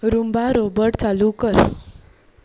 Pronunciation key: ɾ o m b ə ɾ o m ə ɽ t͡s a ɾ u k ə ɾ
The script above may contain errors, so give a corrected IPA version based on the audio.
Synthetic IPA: ɾ u m b a ɾ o b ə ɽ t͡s a l u k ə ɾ